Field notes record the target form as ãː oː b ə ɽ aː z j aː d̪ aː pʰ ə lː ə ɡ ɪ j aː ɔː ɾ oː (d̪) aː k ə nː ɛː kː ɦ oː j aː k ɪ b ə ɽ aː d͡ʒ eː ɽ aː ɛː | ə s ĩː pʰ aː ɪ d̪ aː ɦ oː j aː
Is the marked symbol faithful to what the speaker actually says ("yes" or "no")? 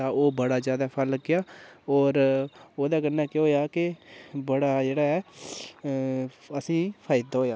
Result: yes